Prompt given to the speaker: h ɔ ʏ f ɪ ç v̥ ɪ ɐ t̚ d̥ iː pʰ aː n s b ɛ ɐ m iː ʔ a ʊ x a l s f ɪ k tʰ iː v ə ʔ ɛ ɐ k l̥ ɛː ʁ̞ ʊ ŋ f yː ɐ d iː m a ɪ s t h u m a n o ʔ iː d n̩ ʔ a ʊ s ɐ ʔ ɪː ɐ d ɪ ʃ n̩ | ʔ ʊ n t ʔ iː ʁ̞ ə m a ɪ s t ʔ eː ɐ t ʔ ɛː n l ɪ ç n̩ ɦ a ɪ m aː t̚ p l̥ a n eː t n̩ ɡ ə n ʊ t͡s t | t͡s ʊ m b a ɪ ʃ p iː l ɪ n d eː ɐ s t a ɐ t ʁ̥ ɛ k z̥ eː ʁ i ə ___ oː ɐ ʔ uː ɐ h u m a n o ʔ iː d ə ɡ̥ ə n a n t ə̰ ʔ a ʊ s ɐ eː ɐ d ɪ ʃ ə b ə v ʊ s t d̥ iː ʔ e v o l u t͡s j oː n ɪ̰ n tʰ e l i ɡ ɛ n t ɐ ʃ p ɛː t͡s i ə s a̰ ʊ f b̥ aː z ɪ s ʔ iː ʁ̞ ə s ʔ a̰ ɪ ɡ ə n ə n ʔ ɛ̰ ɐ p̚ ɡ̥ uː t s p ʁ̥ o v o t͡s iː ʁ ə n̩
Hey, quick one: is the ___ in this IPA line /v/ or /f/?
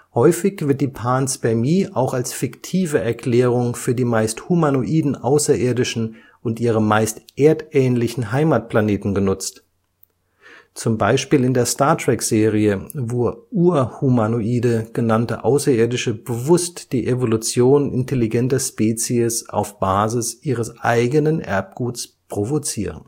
v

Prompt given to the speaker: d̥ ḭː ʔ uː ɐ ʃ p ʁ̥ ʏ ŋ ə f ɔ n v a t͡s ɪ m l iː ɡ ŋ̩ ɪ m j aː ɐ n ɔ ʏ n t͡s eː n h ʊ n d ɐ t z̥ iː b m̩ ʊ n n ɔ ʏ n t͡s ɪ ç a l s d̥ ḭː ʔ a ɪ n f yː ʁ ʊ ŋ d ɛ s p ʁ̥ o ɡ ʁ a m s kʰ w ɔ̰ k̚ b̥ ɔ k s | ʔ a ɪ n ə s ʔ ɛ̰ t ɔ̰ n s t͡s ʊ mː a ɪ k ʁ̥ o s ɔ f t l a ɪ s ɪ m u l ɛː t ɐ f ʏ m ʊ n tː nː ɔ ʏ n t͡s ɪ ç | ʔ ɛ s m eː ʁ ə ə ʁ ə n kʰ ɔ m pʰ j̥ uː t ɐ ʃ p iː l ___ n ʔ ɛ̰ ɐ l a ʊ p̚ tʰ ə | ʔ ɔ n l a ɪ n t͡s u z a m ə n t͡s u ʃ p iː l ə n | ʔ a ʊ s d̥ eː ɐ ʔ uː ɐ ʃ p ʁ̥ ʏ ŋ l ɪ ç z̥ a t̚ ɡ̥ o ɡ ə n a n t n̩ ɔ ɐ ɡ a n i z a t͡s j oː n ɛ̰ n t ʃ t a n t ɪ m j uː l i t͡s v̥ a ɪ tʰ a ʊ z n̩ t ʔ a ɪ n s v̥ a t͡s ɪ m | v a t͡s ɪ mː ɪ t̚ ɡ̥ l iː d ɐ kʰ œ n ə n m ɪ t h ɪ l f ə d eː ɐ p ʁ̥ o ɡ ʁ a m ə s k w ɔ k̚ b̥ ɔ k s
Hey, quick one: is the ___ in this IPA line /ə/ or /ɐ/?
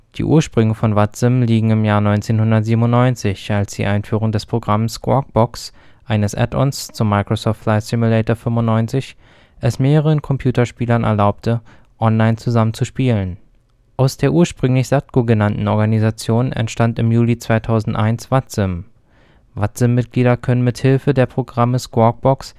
ɐ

